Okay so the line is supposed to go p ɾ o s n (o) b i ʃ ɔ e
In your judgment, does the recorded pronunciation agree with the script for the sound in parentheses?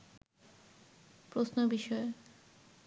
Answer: yes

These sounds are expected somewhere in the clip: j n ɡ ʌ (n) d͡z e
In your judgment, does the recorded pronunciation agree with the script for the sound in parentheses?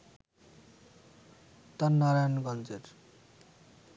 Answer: yes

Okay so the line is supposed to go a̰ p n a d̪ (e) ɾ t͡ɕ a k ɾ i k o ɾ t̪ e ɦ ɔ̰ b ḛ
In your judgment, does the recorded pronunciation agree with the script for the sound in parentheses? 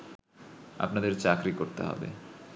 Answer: yes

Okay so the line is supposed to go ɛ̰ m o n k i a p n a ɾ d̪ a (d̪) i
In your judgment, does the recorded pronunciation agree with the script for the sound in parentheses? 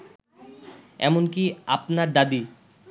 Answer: yes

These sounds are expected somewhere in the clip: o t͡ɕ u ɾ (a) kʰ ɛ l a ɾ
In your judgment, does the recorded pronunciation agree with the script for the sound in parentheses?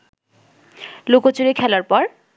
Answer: no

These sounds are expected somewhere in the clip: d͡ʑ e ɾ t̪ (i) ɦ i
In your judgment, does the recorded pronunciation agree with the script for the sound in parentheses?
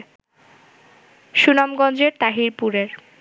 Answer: no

